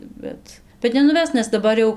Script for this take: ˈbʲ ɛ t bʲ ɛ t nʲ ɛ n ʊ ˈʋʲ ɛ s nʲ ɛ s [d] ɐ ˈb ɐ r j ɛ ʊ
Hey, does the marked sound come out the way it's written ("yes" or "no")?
yes